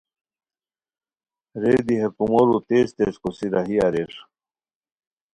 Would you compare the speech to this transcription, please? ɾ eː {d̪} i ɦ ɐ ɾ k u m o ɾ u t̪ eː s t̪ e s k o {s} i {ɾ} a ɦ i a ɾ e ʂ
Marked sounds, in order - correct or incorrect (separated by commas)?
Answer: correct, correct, correct